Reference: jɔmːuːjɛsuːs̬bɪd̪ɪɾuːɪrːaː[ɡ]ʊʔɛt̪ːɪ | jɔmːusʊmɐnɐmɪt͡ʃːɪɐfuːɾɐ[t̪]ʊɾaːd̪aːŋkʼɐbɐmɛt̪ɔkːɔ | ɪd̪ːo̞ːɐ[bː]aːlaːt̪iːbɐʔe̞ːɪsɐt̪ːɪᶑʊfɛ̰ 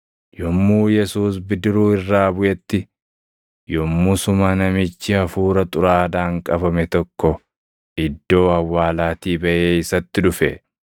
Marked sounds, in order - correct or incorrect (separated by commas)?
incorrect, incorrect, incorrect